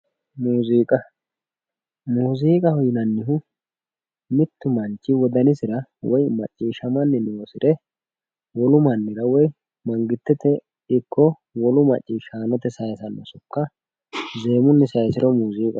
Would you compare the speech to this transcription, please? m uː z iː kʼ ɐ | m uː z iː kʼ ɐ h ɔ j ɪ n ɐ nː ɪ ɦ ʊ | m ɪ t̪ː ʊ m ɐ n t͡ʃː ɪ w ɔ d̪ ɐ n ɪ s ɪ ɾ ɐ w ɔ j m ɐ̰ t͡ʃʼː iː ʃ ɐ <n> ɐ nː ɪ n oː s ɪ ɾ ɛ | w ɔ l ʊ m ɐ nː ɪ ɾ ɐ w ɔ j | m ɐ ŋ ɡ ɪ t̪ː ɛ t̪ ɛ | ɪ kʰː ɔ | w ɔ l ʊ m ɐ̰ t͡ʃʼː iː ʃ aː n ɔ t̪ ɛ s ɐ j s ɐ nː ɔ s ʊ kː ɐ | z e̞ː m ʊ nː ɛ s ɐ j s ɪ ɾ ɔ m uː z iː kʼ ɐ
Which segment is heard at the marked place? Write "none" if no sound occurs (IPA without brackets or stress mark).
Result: m